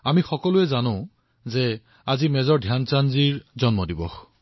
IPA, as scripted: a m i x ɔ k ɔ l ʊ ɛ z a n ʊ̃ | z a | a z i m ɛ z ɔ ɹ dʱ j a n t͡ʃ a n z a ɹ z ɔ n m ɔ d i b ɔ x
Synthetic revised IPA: a m i x ɔ k ɔ l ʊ ɛ z a n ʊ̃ | z ɛ | a z i m ɛ z ɔ ɹ dʱ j a n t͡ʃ a n z i ɹ z ɔ n m ɔ d i b ɔ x